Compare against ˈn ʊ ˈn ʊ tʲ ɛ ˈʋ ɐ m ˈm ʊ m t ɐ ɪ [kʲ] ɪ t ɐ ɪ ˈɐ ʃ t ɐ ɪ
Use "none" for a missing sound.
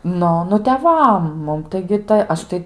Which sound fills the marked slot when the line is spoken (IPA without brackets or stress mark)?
ɡʲ